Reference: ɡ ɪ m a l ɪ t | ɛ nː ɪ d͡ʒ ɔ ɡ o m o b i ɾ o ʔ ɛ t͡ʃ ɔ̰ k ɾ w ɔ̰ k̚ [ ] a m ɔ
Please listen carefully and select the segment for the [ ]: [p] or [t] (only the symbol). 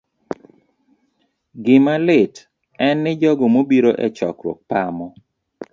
p